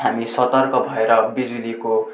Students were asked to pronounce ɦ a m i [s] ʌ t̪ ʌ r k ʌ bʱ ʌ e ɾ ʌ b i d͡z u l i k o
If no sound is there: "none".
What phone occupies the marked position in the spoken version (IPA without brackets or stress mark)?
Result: s